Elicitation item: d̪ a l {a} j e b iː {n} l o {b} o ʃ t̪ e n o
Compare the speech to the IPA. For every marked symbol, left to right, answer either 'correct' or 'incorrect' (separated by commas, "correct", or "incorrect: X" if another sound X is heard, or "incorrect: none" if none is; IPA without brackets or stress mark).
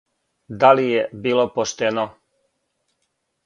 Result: incorrect: i, incorrect: none, incorrect: p